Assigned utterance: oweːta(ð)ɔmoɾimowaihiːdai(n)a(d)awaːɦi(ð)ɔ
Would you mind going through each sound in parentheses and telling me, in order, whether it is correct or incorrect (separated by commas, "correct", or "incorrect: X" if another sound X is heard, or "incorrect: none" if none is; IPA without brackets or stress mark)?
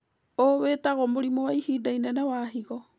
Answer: incorrect: ɣ, correct, incorrect: n, incorrect: ɣ